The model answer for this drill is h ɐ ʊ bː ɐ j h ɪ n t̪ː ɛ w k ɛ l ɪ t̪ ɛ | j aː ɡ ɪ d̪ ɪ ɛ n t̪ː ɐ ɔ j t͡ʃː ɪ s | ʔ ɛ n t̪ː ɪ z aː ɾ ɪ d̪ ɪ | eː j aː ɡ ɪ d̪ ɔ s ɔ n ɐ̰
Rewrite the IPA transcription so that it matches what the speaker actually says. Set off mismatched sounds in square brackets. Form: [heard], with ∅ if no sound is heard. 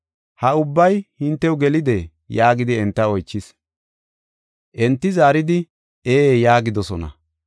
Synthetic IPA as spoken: h ɐ ʊ bː ɐ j h ɪ n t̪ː ɛ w [ɡ] ɛ l ɪ [d̪] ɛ | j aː ɡ ɪ d̪ ɪ ɛ n t̪ː ɐ ɔ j t͡ʃː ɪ s | ʔ ɛ n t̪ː ɪ z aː ɾ ɪ d̪ ɪ | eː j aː ɡ ɪ d̪ ɔ s ɔ n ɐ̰